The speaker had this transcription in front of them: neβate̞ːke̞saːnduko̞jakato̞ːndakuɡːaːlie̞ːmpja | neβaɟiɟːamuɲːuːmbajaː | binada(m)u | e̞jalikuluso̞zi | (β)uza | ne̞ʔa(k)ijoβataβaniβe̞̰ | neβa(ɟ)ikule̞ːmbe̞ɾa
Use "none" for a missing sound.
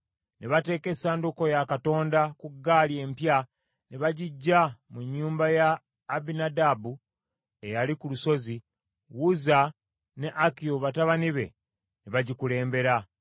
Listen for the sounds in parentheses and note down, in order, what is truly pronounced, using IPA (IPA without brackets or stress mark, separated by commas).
b, w, k, ɟ